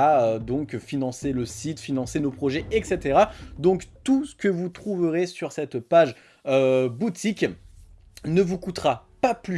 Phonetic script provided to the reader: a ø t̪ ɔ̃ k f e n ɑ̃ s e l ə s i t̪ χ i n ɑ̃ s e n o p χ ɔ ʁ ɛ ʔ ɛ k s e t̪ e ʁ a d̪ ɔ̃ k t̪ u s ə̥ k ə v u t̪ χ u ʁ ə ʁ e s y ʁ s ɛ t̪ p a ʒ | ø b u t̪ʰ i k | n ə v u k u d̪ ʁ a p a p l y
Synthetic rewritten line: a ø d̪ ɔ̃ k f i n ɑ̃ s e l ə s i t̪ f i n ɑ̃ s e n o p χ ɔ ʒ ɛ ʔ ɛ k s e t̪ e ʁ a d̪ ɔ̃ k t̪ u s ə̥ k ə v u t̪ χ u v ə ʁ e s y ʁ s ɛ t̪ p a ʒ | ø b u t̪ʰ i k | n ə v u k u t̪ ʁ a p a p l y